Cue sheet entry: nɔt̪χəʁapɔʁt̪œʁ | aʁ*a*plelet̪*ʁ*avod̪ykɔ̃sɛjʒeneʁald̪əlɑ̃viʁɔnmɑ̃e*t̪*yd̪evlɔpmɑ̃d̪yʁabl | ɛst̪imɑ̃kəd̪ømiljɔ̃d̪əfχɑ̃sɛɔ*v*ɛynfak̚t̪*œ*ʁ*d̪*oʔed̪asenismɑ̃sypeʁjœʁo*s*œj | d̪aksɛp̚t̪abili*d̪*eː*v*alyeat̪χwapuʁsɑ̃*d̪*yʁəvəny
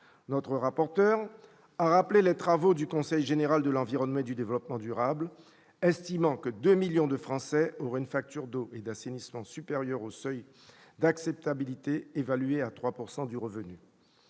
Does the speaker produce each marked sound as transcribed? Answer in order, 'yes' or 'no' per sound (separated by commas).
yes, no, no, no, no, yes, yes, no, yes, yes